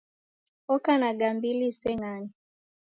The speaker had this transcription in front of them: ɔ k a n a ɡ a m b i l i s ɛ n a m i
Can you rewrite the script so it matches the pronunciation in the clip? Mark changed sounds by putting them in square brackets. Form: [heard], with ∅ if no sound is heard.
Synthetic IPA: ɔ k a n a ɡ a m b i l i s ɛ [ŋ] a [n] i